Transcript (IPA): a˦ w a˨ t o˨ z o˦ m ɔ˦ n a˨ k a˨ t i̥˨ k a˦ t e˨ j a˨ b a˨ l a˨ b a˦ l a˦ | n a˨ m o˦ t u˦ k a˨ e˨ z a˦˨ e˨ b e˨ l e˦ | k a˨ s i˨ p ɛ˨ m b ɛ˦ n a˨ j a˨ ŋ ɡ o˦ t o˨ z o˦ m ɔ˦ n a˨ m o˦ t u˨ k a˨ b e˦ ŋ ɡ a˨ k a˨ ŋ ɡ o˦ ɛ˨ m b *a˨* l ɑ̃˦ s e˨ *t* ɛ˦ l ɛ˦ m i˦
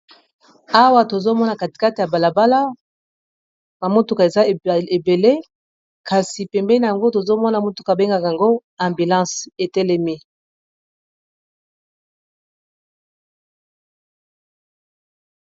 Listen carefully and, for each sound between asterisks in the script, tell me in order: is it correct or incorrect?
incorrect: i˨, correct

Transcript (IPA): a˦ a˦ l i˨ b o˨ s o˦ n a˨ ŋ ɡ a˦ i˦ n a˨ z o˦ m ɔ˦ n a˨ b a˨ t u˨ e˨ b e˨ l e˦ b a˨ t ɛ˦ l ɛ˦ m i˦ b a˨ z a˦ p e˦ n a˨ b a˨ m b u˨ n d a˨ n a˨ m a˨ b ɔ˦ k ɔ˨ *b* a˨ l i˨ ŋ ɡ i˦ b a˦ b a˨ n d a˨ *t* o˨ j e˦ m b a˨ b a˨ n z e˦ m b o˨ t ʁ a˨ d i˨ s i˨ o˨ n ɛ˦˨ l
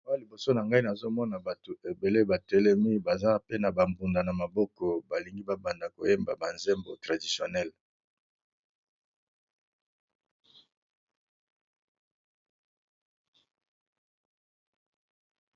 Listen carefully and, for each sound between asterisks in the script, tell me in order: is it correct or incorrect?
correct, incorrect: k

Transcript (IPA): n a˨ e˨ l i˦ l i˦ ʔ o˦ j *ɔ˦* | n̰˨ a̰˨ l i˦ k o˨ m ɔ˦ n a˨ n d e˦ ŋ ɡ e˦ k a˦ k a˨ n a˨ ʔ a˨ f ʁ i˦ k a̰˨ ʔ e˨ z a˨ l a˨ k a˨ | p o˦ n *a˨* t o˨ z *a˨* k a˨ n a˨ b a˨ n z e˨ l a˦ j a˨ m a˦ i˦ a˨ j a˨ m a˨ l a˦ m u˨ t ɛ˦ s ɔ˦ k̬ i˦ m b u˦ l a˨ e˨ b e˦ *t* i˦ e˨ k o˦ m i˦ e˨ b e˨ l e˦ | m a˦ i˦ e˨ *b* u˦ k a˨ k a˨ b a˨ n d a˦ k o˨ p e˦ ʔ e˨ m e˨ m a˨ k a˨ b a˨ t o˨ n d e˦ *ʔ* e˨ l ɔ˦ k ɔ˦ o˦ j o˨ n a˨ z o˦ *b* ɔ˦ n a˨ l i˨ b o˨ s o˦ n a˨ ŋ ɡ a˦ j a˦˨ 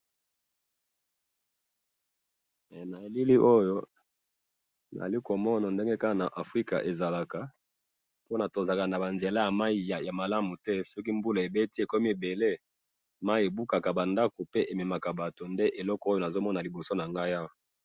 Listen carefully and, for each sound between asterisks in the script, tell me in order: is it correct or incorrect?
incorrect: o˦, correct, correct, correct, correct, correct, incorrect: m

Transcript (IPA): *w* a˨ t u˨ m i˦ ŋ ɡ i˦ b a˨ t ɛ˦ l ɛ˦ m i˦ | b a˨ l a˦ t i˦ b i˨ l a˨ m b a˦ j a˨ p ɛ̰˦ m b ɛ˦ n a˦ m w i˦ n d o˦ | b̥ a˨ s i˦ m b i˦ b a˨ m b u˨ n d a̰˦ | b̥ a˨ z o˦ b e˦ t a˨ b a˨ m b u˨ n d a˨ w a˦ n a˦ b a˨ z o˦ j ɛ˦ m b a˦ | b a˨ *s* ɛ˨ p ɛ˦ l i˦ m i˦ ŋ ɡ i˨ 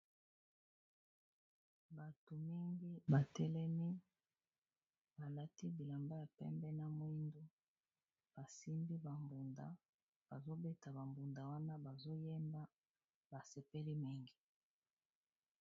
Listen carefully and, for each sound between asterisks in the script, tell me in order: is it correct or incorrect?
incorrect: b, correct

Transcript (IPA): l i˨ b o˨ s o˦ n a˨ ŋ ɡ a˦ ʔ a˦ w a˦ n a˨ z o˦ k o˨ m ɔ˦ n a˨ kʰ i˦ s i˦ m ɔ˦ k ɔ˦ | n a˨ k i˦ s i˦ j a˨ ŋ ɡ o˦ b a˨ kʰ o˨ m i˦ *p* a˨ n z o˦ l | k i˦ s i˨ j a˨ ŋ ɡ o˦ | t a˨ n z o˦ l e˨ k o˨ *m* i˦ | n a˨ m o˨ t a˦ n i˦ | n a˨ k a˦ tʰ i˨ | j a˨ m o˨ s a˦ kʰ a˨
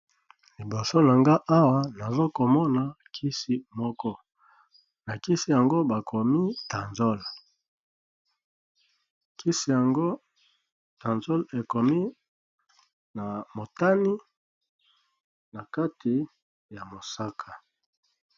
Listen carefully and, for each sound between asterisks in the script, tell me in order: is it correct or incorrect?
incorrect: t, correct

